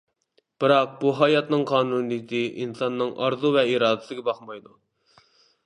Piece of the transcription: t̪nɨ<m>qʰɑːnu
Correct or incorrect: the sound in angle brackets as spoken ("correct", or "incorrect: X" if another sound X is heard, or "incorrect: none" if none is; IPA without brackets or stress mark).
incorrect: ŋ